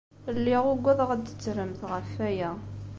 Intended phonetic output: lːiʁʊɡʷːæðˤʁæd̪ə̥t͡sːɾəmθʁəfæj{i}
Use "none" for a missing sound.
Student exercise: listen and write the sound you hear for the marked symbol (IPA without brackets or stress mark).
æ